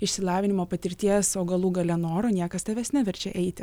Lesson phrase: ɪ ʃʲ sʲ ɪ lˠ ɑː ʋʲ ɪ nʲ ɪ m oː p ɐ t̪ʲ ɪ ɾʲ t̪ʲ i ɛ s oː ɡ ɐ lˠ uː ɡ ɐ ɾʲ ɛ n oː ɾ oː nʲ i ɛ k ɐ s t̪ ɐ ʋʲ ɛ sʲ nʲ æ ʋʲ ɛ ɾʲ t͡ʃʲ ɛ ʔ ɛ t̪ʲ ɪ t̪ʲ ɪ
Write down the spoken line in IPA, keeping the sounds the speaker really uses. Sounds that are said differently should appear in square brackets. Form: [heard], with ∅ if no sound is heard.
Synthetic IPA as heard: ɪ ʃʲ sʲ ɪ lˠ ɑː ʋʲ ɪ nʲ ɪ m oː p ɐ t̪ʲ ɪ ɾʲ t̪ʲ i ɛ s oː ɡ ɐ lˠ uː ɡ ɐ [lʲ] ɛ n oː ɾ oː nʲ i ɛ k ɐ s t̪ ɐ ʋʲ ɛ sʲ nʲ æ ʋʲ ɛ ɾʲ t͡ʃʲ ɛ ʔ ɛ [∅] ɪ t̪ʲ ɪ